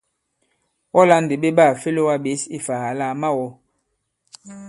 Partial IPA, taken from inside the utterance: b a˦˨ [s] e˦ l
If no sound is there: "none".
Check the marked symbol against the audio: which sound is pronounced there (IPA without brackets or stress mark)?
f